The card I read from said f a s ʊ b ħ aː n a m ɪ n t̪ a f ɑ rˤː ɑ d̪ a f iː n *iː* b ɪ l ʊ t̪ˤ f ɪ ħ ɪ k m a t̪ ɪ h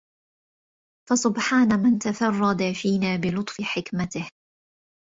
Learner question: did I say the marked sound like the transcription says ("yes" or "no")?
no